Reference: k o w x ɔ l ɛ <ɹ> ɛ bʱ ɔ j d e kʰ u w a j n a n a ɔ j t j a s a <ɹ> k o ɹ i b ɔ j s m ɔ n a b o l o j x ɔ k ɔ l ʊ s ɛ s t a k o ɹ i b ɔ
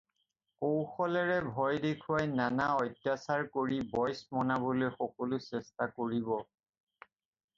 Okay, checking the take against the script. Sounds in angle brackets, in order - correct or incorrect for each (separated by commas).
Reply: correct, correct